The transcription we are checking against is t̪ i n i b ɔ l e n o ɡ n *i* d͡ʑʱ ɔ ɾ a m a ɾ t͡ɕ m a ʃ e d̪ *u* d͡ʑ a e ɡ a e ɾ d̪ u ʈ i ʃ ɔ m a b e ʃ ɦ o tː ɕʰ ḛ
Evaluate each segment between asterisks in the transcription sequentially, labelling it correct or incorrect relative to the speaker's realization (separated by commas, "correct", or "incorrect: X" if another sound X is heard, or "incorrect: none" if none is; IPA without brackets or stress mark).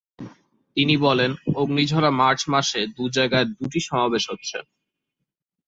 correct, correct